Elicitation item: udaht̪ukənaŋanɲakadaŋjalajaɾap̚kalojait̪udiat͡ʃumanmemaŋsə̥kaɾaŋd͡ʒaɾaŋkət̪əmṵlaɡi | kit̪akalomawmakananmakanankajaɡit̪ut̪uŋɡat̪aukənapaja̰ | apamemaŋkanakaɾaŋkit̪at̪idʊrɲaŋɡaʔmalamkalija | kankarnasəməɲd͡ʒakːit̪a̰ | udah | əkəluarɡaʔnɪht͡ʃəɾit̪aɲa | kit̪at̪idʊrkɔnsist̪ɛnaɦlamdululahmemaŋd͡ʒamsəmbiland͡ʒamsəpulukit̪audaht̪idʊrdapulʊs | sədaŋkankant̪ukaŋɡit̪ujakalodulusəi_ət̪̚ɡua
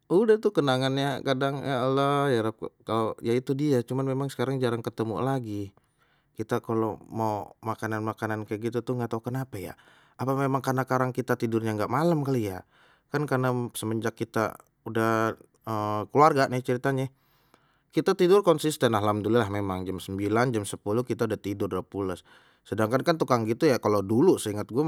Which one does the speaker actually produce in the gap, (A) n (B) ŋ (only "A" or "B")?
B